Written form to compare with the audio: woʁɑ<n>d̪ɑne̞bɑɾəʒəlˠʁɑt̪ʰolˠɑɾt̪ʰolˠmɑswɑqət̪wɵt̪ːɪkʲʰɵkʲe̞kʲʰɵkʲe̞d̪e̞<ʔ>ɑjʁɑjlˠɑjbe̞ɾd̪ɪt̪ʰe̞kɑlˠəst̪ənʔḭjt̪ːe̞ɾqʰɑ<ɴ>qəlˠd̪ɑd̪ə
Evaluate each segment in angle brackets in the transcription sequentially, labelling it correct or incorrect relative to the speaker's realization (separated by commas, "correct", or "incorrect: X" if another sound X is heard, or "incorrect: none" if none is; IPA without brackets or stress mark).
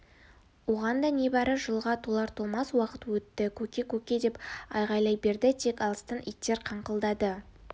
correct, incorrect: p, correct